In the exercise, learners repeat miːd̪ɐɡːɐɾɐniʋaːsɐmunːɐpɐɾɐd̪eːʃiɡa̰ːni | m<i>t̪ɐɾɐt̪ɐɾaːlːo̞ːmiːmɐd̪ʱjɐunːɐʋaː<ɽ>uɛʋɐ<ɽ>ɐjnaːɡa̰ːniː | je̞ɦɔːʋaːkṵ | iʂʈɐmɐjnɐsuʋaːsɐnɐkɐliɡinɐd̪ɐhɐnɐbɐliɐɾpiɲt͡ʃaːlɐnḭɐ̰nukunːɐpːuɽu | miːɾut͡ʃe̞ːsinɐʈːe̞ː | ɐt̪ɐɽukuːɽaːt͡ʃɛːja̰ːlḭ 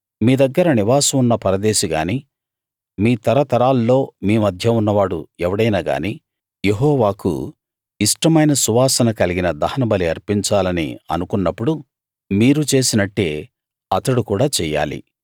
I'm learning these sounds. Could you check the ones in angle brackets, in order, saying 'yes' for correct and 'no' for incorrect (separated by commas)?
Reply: no, yes, yes